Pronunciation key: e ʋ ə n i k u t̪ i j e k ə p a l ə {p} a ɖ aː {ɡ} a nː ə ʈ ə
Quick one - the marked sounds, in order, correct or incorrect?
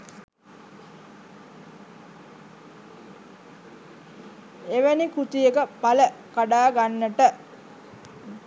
incorrect, correct

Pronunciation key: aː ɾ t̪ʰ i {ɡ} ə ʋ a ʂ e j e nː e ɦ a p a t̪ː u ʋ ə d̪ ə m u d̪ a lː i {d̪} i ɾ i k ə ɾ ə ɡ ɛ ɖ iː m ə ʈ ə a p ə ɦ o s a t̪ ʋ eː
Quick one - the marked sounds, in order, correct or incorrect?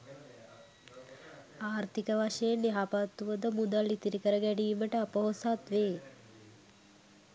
incorrect, incorrect

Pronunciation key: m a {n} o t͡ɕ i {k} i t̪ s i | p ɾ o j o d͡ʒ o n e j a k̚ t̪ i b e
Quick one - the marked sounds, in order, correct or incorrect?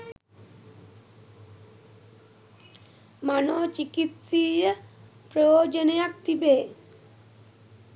correct, correct

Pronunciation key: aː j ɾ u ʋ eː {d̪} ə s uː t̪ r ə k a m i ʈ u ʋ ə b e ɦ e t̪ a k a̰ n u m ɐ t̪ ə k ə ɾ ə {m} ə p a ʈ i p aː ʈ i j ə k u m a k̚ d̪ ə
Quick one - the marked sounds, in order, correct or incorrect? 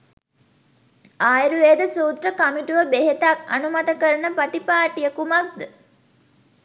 correct, incorrect

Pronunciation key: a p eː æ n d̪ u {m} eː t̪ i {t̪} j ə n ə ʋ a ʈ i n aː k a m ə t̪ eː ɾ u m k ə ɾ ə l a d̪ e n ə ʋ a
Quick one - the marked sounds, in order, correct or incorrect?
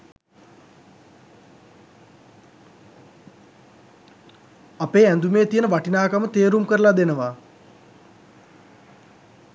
correct, incorrect

